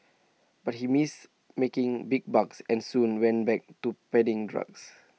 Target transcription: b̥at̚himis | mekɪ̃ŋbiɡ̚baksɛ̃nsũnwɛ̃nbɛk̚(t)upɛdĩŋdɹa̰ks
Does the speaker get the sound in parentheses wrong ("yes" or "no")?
no